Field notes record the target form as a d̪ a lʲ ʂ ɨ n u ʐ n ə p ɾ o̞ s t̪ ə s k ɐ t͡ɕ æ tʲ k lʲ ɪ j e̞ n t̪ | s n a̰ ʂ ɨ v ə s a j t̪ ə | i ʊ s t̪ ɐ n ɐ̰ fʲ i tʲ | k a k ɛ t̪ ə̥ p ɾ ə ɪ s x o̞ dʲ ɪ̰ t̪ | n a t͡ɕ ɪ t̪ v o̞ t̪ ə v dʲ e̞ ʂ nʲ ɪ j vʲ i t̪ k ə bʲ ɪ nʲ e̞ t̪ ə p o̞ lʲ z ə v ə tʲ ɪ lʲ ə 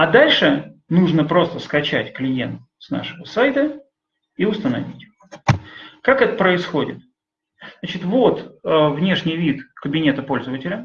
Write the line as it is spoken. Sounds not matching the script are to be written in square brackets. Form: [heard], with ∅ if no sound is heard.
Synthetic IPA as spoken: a d̪ a lʲ ʂ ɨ n u ʐ n ə p ɾ o̞ s t̪ ə s k ɐ t͡ɕ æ tʲ k lʲ ɪ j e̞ n t̪ | s n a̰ ʂ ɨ v ə s a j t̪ ə | i ʊ s t̪ [ə] n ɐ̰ [vʲ] i tʲ | k a k ɛ t̪ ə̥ p ɾ ə ɪ s x o̞ dʲ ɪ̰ t̪ | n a t͡ɕ ɪ t̪ v o̞ t̪ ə v [nʲ] e̞ ʂ nʲ ɪ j vʲ i t̪ k ə bʲ ɪ nʲ e̞ t̪ ə p o̞ lʲ z ə v ə tʲ ɪ lʲ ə